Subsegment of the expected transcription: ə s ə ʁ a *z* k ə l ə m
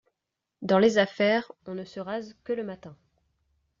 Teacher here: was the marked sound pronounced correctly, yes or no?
yes